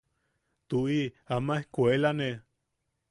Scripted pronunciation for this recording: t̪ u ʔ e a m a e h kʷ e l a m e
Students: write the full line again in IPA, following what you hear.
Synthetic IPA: t̪ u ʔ i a m a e h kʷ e l a n e